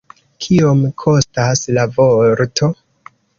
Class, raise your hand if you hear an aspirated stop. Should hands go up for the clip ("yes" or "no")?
yes